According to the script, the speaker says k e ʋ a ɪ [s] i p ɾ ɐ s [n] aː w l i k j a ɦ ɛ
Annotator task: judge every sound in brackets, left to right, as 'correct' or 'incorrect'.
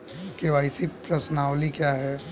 correct, correct

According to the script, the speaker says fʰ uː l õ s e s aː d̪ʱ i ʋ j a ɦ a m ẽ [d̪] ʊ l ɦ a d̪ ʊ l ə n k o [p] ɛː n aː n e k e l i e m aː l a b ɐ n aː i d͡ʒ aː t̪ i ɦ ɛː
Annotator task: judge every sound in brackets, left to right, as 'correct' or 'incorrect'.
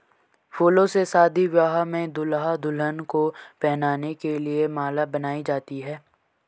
correct, correct

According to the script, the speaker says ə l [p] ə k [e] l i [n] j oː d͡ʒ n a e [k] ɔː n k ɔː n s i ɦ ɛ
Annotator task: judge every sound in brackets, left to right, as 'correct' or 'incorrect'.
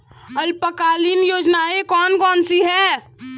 correct, incorrect, correct, correct

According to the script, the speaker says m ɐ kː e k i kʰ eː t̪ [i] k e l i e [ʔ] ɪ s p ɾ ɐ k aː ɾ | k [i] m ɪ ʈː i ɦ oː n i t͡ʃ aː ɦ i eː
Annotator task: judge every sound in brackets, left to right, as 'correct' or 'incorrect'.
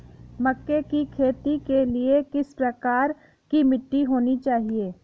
correct, incorrect, correct

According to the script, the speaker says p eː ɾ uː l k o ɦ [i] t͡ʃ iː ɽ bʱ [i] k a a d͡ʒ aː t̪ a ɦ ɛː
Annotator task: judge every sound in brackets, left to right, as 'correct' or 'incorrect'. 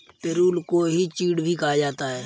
correct, correct

